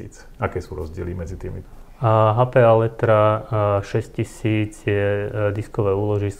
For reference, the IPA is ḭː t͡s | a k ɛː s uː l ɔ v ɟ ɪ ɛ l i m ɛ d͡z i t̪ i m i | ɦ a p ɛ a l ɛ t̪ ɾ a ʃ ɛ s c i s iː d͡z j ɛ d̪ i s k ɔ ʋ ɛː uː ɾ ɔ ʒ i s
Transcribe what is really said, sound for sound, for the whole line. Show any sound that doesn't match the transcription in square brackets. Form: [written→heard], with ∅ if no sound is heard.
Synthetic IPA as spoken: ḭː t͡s | a k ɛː s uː [l→ɾ] ɔ [v→z] ɟ ɪ ɛ l i m ɛ d͡z i t̪ [i→iː] m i | ɦ a p ɛ a l ɛ t̪ ɾ a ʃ ɛ s c i s iː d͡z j ɛ d̪ i s k ɔ ʋ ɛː uː [ɾ→l] ɔ ʒ i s